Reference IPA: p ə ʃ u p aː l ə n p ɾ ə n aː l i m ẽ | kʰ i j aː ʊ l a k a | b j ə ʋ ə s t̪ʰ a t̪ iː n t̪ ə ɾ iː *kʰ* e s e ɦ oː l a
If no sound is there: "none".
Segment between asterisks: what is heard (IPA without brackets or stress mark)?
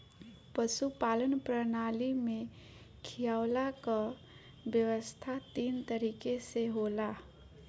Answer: k